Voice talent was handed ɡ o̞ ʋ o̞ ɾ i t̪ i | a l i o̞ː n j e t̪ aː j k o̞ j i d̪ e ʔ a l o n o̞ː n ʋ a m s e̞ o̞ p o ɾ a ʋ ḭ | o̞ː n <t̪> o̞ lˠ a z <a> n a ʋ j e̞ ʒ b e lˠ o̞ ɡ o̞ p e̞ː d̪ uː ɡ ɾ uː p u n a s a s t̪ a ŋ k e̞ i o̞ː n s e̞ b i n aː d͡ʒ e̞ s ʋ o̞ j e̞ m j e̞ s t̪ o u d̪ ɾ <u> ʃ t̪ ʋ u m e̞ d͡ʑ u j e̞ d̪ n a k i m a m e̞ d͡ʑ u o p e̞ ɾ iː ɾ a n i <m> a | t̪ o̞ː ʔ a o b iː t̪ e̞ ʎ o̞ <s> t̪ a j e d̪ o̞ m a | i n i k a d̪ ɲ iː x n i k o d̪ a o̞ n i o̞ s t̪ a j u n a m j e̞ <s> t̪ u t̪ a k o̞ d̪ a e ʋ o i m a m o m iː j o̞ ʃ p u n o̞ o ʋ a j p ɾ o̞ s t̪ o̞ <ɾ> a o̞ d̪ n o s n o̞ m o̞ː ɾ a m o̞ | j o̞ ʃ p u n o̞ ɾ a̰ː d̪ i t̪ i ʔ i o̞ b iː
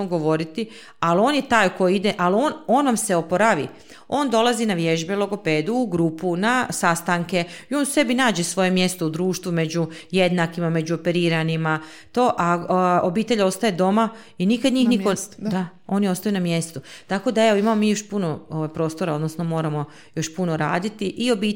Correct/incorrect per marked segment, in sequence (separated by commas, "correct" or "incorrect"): incorrect, incorrect, incorrect, correct, correct, correct, correct